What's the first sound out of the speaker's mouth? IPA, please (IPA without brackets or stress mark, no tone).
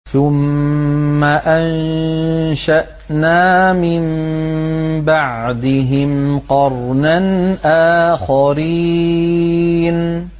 θ